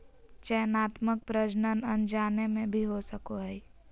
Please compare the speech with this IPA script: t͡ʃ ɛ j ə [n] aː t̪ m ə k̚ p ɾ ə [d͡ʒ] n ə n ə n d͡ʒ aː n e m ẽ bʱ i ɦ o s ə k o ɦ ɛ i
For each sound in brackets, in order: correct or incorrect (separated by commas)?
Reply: correct, correct